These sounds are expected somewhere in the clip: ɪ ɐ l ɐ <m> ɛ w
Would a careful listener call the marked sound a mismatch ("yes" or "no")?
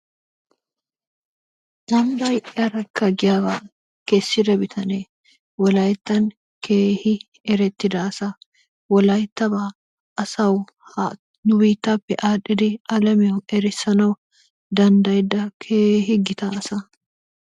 no